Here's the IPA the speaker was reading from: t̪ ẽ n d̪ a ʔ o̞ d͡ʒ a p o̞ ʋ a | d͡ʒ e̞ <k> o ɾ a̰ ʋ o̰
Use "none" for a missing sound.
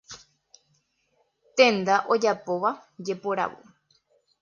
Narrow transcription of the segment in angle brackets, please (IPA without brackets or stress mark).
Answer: p